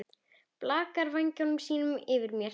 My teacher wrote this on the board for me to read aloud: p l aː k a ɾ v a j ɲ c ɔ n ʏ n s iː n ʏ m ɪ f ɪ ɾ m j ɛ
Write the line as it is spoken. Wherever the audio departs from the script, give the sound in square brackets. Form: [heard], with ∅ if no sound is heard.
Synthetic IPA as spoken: p l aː k a ɾ v a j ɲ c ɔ n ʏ [m] s iː n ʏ m ɪ [v] ɪ ɾ m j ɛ